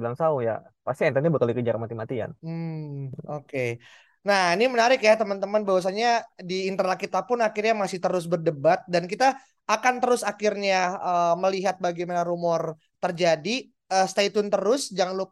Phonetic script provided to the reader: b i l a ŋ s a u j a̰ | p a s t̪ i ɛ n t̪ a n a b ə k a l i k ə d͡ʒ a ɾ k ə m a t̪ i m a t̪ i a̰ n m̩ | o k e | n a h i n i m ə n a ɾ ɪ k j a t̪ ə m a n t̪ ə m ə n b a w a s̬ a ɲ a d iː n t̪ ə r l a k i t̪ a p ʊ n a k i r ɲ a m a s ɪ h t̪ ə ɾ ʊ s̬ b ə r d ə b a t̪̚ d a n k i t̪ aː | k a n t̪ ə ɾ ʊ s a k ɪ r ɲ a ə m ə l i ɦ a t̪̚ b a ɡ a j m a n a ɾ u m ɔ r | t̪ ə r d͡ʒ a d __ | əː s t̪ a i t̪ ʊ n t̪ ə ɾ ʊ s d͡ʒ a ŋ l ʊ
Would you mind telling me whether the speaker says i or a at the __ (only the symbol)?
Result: i